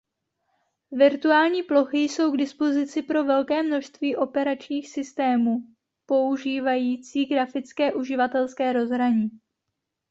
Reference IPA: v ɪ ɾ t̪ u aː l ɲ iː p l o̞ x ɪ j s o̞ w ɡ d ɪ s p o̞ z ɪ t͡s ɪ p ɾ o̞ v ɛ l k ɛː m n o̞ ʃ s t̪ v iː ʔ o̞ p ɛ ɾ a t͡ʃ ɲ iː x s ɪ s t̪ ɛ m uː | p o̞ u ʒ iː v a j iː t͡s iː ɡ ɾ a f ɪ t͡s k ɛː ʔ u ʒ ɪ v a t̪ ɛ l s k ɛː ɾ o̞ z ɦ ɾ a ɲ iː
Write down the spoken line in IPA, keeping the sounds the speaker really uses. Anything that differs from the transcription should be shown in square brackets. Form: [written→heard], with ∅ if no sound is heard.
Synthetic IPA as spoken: v ɪ ɾ t̪ u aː l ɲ iː p l o̞ x ɪ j s o̞ w ɡ d ɪ s p o̞ z ɪ t͡s ɪ p ɾ o̞ v ɛ l k ɛː m n o̞ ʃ s t̪ v iː ʔ o̞ p ɛ ɾ a t͡ʃ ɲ iː x s ɪ s t̪ [ɛ→ɛː] m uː | p o̞ u ʒ iː v a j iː t͡s iː ɡ ɾ a f ɪ t͡s k ɛː ʔ u ʒ ɪ v a t̪ ɛ l s k ɛː ɾ o̞ z ɦ ɾ a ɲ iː